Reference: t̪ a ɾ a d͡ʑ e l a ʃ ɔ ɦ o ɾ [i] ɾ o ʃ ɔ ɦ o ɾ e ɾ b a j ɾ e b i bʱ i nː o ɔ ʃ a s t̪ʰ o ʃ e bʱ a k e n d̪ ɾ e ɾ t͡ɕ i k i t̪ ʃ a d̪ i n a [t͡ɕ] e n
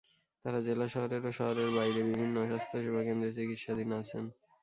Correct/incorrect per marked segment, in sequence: incorrect, incorrect

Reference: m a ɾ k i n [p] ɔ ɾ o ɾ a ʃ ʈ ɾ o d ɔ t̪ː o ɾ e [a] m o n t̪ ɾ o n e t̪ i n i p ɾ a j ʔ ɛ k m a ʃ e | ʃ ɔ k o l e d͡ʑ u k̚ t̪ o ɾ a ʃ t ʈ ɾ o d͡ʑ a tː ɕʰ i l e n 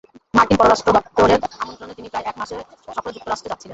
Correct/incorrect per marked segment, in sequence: correct, correct

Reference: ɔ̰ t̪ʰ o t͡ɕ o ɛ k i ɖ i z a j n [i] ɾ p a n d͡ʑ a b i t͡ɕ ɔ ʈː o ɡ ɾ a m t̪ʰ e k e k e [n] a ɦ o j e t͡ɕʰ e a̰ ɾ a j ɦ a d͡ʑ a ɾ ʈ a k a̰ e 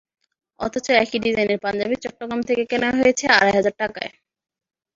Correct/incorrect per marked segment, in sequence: incorrect, correct

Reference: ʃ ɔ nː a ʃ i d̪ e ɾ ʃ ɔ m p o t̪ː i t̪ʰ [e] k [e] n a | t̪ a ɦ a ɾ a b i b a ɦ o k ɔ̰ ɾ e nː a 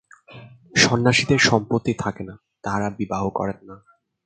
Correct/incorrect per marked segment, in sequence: incorrect, correct

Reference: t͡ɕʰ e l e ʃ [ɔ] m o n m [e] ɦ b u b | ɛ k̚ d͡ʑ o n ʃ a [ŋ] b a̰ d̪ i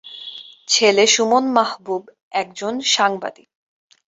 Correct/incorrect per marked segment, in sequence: incorrect, incorrect, correct

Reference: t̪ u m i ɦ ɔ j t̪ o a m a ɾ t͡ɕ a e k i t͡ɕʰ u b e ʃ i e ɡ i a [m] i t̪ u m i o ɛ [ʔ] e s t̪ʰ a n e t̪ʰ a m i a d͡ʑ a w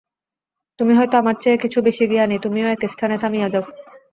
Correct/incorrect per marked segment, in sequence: incorrect, incorrect

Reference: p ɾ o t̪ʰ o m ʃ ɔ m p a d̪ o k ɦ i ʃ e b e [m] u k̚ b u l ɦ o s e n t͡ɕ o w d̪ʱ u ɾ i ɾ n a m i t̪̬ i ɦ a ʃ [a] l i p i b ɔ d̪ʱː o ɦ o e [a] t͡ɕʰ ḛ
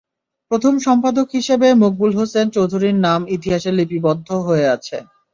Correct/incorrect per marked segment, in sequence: correct, incorrect, correct

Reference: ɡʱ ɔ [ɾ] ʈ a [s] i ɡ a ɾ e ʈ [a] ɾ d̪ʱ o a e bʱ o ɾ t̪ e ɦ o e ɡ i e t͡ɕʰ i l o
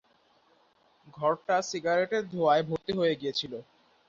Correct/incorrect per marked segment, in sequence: correct, correct, incorrect

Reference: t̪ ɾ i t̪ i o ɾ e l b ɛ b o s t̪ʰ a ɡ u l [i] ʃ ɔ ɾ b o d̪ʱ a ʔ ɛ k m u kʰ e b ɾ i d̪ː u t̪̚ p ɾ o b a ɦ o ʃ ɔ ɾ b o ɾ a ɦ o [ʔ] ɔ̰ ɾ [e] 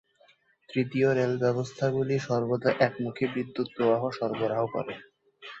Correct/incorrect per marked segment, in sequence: correct, incorrect, correct

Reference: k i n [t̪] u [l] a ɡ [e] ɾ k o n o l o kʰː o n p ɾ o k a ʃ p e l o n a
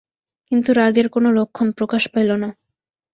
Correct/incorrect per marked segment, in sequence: correct, incorrect, correct

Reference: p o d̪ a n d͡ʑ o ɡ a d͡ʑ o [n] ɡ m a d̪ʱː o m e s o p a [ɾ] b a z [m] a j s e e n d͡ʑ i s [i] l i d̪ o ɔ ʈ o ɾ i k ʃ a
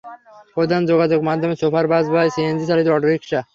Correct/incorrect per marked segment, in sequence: incorrect, correct, incorrect, incorrect

